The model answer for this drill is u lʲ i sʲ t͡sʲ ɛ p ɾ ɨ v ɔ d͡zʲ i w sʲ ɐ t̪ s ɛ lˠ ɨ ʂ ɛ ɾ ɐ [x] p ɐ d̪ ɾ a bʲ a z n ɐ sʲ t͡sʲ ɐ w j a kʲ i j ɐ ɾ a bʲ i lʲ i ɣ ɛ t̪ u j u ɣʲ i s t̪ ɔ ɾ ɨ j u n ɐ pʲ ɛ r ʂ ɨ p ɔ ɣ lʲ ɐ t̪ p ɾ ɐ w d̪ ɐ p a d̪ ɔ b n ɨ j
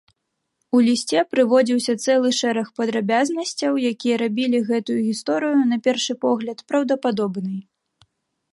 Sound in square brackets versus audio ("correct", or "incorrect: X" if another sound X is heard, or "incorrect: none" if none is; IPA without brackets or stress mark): correct